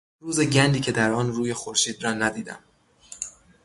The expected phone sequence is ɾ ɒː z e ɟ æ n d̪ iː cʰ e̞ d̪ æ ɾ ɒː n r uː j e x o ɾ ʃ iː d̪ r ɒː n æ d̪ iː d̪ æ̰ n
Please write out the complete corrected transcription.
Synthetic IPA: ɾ uː z e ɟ æ n d̪ iː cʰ e̞ d̪ æ ɾ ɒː n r uː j e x o ɾ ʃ iː d̪ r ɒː n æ d̪ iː d̪ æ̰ m